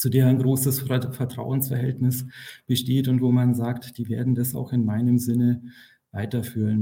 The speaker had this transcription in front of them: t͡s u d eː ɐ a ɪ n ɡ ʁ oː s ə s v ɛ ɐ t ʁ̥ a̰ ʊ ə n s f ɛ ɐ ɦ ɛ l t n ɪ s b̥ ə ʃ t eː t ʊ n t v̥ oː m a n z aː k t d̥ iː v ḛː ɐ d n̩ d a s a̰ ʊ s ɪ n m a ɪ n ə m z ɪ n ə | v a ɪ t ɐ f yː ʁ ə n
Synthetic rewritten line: t͡s u d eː ɐ a ɪ n ɡ ʁ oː s ə s f ɛ ɐ t ʁ̥ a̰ ʊ ə n s f ɛ ɐ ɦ ɛ l t n ɪ s b̥ ə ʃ t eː t ʊ n t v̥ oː m a n z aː k t d̥ iː v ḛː ɐ d n̩ d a s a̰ ʊ x ɪ n m a ɪ n ə m z ɪ n ə | v a ɪ t ɐ f yː ʁ ə n